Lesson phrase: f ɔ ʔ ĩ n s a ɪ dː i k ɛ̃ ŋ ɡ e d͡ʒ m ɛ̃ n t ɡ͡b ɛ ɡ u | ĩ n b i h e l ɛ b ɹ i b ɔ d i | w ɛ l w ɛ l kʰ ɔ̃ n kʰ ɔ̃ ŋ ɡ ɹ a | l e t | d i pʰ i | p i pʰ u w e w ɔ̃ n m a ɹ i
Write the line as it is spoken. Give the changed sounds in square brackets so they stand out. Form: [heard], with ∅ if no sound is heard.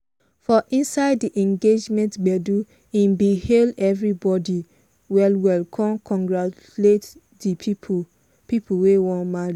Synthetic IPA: f ɔ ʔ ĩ n s a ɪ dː i [ʔ] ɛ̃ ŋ ɡ e d͡ʒ m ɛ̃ n t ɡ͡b ɛ [d] u | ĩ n b i h e l ɛ [v] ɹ i b ɔ d i | w ɛ l w ɛ l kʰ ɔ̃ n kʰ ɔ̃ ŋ ɡ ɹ a | l e t | d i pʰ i | p i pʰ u w e w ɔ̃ n m a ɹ i